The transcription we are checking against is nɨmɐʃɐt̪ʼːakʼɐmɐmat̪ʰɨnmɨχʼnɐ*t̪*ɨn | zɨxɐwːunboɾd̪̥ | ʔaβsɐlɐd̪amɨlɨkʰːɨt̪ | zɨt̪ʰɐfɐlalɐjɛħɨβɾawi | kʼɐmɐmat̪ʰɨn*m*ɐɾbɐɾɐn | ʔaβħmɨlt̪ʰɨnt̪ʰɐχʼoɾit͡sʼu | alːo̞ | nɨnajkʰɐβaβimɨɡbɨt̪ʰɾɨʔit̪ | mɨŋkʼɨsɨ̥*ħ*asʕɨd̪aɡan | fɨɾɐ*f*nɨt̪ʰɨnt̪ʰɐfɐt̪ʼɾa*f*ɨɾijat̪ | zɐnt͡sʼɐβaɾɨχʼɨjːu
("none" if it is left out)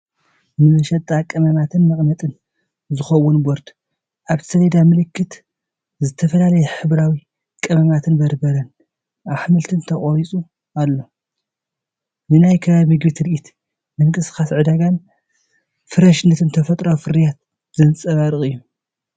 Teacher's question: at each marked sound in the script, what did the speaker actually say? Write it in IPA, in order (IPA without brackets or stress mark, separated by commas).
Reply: t̪ʼ, b, x, ʃ, f